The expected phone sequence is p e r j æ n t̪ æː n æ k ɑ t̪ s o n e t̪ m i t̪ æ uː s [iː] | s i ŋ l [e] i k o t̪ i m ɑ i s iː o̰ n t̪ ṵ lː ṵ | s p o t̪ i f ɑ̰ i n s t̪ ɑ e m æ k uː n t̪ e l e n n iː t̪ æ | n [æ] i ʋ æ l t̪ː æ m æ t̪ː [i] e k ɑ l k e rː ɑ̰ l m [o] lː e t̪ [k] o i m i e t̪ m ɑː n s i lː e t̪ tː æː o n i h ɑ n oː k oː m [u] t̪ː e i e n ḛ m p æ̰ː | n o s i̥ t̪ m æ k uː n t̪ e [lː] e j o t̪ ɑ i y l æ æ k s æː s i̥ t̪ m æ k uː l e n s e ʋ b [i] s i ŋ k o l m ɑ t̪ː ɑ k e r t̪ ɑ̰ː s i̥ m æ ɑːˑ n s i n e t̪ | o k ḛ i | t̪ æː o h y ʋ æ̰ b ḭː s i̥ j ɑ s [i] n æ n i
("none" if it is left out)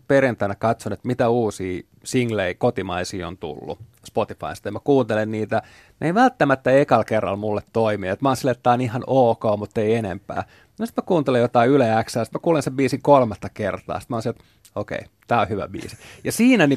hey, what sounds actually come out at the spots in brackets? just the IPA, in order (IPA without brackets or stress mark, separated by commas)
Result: iː, e, e, æ, u, t, u, l, iː, iː